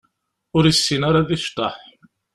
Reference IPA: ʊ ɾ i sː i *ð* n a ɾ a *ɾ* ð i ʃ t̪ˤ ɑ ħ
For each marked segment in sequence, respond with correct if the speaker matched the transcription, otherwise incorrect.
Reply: incorrect, incorrect

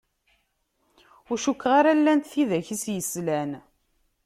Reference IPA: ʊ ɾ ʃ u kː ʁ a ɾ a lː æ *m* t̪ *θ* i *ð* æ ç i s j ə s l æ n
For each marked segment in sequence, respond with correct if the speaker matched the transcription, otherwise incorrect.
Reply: incorrect, correct, correct

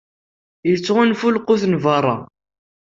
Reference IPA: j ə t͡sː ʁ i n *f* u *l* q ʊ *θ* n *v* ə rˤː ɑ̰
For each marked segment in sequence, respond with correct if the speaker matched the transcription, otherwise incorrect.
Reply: correct, correct, correct, correct

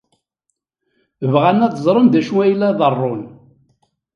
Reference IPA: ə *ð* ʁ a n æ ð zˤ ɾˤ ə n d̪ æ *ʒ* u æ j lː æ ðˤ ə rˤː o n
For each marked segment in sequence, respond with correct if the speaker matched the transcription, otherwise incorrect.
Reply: incorrect, incorrect

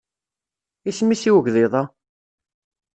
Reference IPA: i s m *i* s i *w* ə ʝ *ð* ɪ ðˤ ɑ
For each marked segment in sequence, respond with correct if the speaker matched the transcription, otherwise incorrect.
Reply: correct, correct, correct

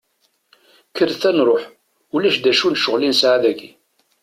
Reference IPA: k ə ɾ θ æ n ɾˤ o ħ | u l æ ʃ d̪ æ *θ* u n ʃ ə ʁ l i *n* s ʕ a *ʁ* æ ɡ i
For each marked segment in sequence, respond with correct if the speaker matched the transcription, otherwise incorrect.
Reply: incorrect, correct, incorrect

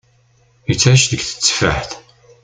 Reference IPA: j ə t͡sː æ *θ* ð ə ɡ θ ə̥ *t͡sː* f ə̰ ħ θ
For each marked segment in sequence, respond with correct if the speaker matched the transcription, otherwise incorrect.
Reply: incorrect, correct

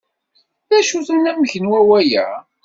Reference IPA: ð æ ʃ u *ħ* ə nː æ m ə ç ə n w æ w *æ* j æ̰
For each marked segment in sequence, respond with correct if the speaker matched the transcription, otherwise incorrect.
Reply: incorrect, correct

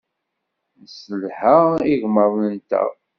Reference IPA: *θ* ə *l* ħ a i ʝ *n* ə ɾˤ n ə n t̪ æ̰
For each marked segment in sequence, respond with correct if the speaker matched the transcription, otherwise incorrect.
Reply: incorrect, correct, incorrect

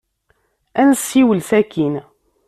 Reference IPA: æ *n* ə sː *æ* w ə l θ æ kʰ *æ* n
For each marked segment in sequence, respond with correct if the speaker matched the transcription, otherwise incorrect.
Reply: correct, incorrect, incorrect

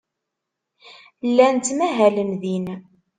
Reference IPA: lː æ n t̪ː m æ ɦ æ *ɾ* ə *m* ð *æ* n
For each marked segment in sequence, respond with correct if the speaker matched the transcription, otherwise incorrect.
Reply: incorrect, correct, incorrect

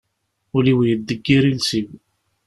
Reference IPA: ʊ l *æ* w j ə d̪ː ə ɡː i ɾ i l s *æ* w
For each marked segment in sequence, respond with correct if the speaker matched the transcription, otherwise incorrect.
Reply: incorrect, incorrect

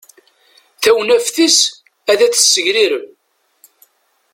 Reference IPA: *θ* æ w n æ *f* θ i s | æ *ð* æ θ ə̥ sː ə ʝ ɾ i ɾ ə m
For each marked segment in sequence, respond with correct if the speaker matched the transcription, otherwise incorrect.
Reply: correct, correct, correct

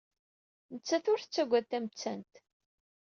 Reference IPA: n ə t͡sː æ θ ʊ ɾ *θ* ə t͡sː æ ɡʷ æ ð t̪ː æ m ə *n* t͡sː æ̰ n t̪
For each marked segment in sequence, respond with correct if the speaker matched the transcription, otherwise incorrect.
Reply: correct, incorrect

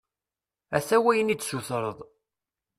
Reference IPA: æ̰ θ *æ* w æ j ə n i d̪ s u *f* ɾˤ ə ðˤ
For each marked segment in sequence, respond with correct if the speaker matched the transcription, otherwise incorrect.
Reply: correct, incorrect

